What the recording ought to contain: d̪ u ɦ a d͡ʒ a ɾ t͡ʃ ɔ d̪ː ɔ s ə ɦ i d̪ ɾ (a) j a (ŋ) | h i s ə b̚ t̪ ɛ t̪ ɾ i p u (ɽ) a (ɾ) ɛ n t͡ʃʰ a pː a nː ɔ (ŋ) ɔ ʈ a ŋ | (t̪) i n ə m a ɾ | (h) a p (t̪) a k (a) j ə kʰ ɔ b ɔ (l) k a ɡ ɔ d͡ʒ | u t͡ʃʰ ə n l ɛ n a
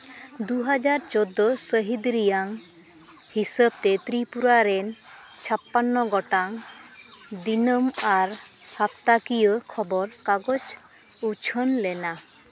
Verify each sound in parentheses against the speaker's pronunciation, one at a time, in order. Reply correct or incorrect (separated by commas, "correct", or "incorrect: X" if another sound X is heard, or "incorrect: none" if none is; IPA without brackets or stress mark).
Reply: incorrect: i, correct, incorrect: ɾ, correct, incorrect: ɡ, incorrect: d̪, correct, correct, incorrect: i, incorrect: ɾ